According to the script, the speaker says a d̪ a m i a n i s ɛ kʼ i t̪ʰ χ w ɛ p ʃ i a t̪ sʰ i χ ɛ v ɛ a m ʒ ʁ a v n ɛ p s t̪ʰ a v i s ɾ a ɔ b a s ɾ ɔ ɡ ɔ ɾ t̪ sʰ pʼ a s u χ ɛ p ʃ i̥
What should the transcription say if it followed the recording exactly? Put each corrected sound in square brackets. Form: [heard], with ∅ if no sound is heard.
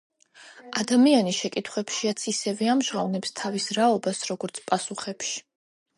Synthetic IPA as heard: a d̪ a m i a n i [ʃ] ɛ kʼ i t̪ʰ χ w ɛ p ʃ i a t̪ sʰ i [s] ɛ v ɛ a m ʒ ʁ a v n ɛ p s t̪ʰ a v i s ɾ a ɔ b a s ɾ ɔ ɡ ɔ ɾ t̪ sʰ pʼ a s u χ ɛ p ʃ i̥